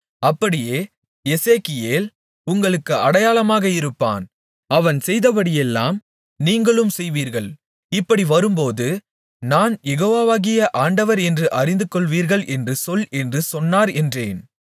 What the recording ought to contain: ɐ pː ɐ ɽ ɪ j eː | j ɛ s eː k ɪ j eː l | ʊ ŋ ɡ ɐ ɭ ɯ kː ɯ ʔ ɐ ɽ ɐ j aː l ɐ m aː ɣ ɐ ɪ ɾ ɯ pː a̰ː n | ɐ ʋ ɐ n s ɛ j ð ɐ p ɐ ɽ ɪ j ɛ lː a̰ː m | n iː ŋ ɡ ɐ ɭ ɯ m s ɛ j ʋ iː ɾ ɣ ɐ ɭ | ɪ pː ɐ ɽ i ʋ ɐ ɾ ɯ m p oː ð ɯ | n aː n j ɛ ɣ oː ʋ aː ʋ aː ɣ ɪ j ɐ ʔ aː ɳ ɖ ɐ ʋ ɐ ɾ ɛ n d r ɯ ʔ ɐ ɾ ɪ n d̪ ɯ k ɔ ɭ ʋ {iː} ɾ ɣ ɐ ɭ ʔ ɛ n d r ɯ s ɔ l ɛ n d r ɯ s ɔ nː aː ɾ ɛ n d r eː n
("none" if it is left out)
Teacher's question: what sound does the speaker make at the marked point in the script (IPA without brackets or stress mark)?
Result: iː